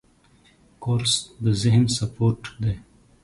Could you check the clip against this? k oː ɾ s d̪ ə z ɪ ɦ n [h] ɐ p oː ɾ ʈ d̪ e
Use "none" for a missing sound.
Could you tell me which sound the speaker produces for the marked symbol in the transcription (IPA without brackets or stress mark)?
s